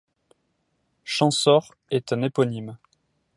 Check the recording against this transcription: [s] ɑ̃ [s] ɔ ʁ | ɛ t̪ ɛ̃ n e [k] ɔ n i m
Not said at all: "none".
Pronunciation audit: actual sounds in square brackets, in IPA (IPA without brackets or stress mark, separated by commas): ʃ, s, p